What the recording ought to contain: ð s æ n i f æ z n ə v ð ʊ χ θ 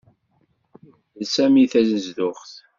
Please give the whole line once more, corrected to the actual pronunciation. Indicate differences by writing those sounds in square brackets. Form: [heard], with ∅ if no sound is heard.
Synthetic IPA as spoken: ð s æ [m] i [θ] æ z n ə [z] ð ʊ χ θ